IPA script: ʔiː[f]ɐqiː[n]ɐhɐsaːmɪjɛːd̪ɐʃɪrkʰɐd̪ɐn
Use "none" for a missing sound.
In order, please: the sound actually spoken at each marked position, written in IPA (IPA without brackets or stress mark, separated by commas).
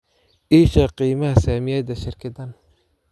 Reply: ʃ, m